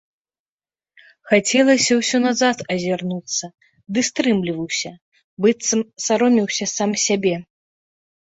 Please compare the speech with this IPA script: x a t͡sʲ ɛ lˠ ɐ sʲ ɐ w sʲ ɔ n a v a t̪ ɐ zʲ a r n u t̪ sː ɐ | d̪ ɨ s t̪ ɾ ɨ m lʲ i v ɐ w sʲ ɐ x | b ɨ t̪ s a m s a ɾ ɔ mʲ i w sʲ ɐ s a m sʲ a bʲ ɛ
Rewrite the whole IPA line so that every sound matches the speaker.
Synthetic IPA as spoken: x a t͡sʲ ɛ lˠ ɐ sʲ ɐ w sʲ ɔ n a z a t̪ ɐ zʲ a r n u t̪ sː ɐ | d̪ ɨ s t̪ ɾ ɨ m lʲ i v ɐ w sʲ ɐ | b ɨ t̪ s ɐ m s a ɾ ɔ mʲ i w sʲ ɐ s a m sʲ a bʲ ɛ